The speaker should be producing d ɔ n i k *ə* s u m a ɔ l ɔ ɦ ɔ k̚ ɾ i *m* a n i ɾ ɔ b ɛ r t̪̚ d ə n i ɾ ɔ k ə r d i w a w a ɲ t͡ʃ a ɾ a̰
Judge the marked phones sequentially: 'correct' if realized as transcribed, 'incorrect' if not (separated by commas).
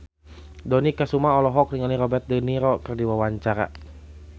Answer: incorrect, incorrect